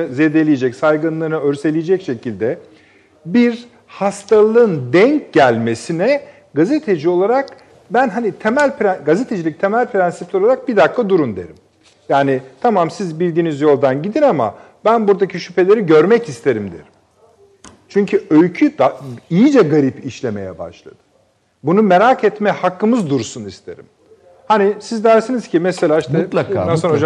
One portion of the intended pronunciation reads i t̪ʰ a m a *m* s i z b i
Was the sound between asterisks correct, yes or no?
yes